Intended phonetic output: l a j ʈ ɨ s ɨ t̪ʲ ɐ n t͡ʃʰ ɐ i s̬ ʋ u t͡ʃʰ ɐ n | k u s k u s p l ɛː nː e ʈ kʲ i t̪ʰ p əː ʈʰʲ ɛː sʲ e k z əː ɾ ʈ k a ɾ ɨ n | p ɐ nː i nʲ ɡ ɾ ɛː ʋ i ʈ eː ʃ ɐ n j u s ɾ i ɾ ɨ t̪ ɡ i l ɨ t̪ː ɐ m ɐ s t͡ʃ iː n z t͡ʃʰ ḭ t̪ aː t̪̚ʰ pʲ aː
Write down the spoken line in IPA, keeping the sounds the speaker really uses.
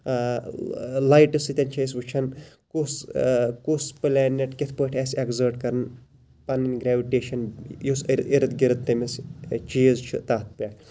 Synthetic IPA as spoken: l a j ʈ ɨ s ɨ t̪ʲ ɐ n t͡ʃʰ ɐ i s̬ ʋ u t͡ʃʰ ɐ n | k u s k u s p l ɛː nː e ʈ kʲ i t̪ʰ p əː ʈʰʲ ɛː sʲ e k z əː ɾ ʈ k ɐ ɾ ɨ n | p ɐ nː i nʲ ɡ ɾ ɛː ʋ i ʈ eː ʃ ɐ n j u s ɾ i ɾ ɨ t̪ ɡ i ɾ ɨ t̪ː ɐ m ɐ s t͡ʃ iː z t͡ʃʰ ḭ t̪ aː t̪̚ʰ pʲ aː